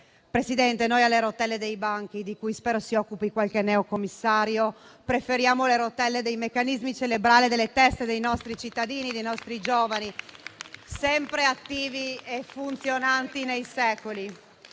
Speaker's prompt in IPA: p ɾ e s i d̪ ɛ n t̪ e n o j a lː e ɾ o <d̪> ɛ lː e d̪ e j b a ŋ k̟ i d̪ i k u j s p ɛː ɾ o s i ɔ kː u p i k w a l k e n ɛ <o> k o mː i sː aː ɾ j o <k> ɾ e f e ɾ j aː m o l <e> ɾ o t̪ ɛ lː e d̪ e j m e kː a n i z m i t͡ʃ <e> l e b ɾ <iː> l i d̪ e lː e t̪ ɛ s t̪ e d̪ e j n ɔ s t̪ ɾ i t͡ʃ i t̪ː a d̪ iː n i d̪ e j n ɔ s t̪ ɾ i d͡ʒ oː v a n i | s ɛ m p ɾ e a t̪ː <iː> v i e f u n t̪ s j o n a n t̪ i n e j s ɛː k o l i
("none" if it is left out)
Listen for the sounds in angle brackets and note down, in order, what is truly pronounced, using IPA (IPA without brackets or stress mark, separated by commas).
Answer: t̪, o, p, e, e, aː, iː